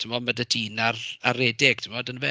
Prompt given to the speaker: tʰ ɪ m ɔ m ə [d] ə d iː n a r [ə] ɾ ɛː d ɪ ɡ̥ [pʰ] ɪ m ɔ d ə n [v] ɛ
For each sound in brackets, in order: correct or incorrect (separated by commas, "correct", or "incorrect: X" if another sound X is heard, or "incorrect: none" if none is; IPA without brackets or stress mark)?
correct, incorrect: a, incorrect: tʰ, correct